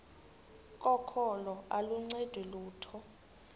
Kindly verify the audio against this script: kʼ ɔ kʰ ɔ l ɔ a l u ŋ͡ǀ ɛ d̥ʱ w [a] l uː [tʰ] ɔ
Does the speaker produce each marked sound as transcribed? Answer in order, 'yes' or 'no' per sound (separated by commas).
no, yes